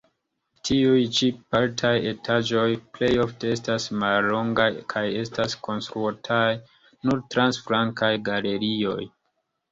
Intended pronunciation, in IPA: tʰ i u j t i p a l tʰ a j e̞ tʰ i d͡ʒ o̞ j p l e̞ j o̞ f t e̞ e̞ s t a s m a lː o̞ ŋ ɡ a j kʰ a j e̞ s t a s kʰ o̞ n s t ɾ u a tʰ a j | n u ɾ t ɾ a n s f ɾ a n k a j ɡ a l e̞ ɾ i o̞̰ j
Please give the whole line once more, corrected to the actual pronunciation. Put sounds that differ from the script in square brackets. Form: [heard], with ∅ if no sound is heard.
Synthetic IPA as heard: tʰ i u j [t͡ʃ] i p a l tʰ a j e̞ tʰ [a] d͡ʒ o̞ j p l e̞ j o̞ f t e̞ e̞ s t a s m a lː o̞ ŋ ɡ a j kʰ a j e̞ s t a s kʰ o̞ n s t ɾ u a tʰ a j | n u ɾ t ɾ a n s f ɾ a [ŋ] k a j ɡ a l e̞ ɾ i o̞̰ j